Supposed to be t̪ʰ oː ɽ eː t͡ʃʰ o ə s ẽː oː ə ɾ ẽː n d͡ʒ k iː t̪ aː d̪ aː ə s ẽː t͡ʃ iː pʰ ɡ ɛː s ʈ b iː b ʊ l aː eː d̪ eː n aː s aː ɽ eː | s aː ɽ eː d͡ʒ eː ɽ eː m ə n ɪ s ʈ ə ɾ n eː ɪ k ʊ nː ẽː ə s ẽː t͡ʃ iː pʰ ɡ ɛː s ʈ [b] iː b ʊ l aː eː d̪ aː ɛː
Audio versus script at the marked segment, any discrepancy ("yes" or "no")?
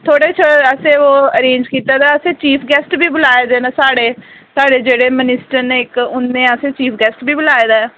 no